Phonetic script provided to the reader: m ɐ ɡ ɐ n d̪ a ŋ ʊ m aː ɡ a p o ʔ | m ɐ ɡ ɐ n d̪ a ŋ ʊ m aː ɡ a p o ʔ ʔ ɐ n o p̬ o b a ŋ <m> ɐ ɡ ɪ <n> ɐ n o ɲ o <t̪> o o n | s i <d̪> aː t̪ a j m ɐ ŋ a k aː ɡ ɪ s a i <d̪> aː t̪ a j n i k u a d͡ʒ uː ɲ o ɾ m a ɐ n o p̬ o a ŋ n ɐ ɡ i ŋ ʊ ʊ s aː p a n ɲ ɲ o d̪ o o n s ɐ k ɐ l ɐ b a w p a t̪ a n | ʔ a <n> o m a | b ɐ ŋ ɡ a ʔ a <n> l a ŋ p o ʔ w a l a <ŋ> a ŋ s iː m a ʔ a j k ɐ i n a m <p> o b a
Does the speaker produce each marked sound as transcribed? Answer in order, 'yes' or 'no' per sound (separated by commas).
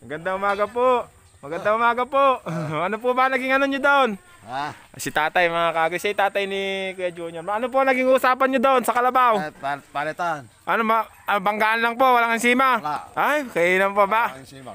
no, no, no, no, no, yes, yes, yes, yes